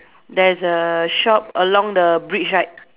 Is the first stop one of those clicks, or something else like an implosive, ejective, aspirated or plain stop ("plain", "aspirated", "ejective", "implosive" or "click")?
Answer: plain